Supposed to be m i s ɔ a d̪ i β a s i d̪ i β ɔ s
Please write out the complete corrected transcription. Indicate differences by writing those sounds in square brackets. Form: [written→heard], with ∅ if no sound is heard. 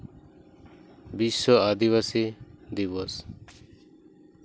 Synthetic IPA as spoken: [m→b] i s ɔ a d̪ i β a s i d̪ i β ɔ s